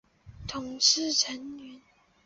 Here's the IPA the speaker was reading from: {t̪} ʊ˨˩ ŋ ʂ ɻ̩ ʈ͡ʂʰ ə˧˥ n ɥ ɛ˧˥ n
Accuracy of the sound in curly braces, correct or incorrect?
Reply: incorrect